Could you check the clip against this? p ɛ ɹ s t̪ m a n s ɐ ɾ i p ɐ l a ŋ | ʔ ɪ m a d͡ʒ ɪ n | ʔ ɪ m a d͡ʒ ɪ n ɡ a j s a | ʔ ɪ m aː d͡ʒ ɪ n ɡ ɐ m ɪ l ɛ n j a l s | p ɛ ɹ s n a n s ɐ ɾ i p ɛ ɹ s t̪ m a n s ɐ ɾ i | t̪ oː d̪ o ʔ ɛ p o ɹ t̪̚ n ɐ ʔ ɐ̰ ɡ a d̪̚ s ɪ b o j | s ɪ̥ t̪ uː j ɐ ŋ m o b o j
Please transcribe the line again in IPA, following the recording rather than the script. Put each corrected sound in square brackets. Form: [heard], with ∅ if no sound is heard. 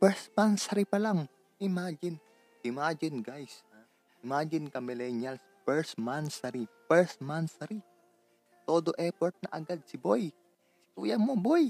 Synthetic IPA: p ɛ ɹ s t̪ m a n s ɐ ɾ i p ɐ l a ŋ | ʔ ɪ m a d͡ʒ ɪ n | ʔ ɪ m a d͡ʒ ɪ n ɡ a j s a | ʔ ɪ m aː d͡ʒ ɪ n [k] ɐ m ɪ l ɛ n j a l s | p ɛ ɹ s [m] a n s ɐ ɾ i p ɛ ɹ s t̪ m a n s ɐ ɾ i | t̪ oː d̪ o ʔ ɛ p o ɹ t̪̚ n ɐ ʔ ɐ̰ ɡ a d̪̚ s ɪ b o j | s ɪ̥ t̪ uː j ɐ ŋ m o b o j